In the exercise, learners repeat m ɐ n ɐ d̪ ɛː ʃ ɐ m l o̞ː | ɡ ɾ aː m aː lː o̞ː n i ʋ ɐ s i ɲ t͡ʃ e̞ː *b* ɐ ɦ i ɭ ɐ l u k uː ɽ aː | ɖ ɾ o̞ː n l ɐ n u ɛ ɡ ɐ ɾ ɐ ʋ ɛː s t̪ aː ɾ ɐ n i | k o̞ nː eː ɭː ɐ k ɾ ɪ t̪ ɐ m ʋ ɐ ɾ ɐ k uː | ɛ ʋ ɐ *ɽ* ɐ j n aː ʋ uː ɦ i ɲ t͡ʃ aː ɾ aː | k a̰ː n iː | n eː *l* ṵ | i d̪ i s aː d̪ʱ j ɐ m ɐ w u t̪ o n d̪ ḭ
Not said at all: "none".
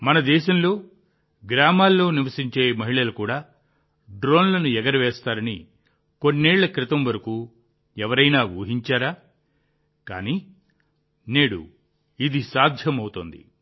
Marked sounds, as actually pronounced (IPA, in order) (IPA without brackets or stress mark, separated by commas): m, ɾ, ɽ